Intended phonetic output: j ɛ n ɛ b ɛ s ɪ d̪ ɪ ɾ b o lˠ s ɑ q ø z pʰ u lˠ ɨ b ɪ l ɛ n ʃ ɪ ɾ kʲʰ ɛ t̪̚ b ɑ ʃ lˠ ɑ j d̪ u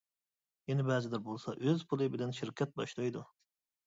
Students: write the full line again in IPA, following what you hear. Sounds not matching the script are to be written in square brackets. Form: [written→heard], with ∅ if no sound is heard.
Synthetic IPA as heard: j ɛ n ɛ b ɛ [s→z] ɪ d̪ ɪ ɾ b o lˠ s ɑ [q→ʔ] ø z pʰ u lˠ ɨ b ɪ l ɛ n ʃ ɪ ɾ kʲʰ ɛ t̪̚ b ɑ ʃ lˠ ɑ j d̪ u